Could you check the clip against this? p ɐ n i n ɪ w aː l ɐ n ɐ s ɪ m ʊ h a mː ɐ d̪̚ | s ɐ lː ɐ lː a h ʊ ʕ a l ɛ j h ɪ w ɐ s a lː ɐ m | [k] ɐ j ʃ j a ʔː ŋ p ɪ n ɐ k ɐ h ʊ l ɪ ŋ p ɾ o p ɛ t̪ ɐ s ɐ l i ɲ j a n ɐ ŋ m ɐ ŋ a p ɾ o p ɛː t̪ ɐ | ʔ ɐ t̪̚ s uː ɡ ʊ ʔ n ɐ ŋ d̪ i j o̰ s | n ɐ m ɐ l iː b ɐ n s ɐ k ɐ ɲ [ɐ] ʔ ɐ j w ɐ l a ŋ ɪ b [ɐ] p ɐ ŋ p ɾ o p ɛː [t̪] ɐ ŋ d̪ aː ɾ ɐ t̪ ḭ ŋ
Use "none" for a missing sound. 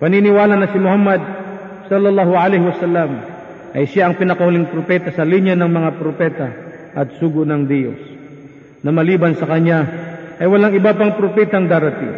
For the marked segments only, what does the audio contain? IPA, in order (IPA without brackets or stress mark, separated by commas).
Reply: ʔ, a, a, t̪